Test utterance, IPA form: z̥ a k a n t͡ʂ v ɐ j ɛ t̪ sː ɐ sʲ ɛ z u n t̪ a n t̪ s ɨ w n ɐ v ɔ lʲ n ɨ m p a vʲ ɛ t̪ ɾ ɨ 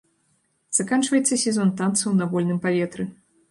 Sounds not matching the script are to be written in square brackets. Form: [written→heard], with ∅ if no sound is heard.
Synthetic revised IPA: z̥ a k a n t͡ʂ v ɐ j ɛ t̪ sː ɐ sʲ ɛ z [u→ɔ] n t̪ a n t̪ s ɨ w n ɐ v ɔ lʲ n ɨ m p a vʲ ɛ t̪ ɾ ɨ